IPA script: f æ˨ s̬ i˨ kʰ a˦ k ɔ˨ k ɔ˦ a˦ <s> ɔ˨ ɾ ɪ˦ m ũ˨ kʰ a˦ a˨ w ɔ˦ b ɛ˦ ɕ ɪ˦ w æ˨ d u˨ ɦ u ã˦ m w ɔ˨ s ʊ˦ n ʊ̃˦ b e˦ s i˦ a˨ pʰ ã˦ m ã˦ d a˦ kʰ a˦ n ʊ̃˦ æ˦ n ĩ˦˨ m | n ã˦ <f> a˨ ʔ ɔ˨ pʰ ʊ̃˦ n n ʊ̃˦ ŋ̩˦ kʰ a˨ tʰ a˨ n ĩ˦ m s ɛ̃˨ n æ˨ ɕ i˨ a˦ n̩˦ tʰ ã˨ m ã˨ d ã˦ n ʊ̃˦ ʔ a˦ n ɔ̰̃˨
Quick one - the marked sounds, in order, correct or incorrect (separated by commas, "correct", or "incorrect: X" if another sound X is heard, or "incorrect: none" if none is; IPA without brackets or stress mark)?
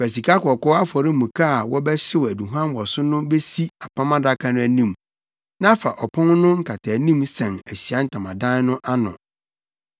incorrect: f, correct